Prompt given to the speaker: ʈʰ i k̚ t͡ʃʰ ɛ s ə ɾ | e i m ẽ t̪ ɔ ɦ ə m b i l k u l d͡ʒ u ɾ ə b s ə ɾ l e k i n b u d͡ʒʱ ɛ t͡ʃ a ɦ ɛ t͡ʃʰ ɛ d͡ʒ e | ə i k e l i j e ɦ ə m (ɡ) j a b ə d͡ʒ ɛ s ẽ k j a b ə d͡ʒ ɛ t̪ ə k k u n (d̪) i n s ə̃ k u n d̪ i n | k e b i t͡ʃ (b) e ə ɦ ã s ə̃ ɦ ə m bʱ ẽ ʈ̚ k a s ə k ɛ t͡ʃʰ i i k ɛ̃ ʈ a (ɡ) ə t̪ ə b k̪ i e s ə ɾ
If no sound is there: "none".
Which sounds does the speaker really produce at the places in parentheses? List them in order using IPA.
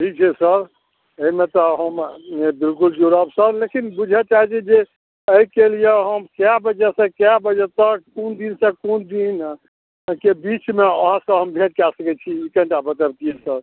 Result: k, d̪, m, b

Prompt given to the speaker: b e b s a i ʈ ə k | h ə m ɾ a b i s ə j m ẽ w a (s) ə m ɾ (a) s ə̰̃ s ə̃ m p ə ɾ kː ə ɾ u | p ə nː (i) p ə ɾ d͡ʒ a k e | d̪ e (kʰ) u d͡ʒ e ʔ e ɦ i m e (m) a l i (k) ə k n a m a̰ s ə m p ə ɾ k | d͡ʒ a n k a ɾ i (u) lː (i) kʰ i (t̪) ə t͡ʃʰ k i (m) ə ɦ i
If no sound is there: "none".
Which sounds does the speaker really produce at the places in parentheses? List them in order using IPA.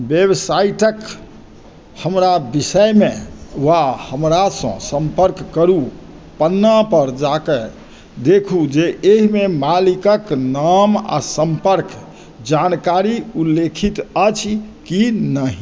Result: h, a, a, kʰ, m, k, u, e, t̪, n

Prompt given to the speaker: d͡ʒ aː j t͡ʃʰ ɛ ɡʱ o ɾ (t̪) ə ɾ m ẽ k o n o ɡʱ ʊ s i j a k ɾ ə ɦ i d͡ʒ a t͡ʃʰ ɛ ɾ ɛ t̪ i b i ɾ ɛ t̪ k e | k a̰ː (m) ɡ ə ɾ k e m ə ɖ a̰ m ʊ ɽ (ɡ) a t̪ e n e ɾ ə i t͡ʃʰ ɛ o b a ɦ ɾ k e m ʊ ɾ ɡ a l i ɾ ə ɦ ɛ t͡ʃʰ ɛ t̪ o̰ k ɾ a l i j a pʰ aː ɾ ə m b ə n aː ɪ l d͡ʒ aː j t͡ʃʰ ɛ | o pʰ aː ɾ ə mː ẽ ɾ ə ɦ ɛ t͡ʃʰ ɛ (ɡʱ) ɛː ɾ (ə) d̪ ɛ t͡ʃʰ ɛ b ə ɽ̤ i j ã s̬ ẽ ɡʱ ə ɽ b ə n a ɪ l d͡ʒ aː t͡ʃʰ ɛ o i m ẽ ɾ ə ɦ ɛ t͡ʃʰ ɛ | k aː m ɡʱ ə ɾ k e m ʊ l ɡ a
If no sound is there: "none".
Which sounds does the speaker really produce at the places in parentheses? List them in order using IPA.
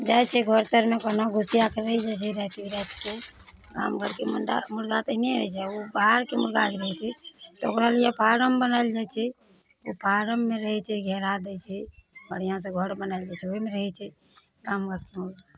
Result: t̪, m, ɡ, ɡʱ, a

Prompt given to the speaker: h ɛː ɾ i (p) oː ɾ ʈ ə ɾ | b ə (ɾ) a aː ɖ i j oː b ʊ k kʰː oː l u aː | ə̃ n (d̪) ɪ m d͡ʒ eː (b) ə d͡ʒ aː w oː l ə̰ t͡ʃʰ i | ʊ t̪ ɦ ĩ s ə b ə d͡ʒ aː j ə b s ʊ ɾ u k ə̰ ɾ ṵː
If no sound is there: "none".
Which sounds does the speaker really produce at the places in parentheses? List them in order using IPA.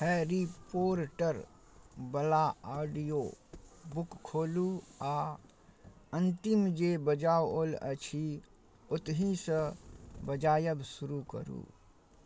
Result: p, l, t̪, b

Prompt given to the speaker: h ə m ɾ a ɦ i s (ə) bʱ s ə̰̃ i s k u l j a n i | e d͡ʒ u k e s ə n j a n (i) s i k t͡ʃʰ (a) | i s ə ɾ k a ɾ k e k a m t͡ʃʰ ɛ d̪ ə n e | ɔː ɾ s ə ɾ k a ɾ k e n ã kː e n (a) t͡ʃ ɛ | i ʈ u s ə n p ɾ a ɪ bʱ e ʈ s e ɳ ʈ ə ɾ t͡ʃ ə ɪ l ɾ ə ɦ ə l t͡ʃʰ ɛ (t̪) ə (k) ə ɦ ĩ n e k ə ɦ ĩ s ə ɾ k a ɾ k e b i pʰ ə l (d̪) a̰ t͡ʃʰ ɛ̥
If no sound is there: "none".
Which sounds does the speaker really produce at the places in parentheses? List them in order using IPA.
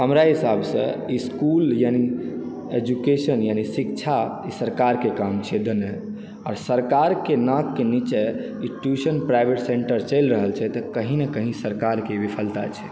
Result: a, i, a, i, t̪, k, t̪

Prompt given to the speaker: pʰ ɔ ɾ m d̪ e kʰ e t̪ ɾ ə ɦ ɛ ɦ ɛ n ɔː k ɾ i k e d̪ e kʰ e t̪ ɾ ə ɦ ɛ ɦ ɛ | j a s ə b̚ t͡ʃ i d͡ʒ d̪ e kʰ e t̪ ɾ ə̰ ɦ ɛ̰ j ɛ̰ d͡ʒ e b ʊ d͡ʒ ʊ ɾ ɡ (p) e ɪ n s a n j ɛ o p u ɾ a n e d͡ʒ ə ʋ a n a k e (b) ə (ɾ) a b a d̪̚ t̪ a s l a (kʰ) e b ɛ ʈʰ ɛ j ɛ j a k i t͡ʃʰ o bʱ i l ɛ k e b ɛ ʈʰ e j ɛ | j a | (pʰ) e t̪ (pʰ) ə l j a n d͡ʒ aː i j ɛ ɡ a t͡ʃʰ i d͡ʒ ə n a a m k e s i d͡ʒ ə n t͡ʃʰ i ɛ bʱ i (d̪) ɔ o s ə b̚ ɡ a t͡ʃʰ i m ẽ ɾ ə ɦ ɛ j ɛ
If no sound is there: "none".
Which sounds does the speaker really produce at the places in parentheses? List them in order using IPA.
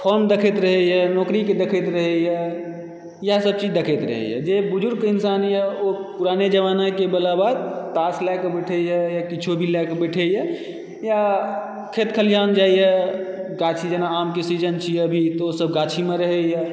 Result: k, b, l, k, kʰ, kʰ, t̪

